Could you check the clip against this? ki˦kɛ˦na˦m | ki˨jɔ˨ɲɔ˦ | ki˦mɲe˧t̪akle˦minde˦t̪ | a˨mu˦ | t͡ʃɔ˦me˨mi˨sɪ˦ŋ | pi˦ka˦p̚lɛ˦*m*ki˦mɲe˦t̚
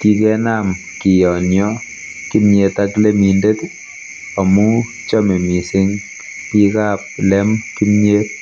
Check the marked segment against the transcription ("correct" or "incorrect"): correct